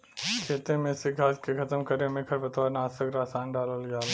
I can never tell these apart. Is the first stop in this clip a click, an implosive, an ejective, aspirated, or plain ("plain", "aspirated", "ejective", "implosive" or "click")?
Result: aspirated